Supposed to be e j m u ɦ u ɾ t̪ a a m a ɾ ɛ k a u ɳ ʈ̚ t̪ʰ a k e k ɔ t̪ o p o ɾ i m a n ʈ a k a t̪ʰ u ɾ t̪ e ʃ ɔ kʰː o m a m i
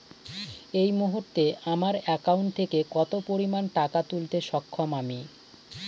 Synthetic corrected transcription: e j m u ɦ u ɾ t̪ e a m a ɾ ɛ k a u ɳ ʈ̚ t̪ʰ e k e k ɔ t̪ o p o ɾ i m a n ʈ a k a t̪ u l t̪ e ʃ ɔ kʰː o m a m i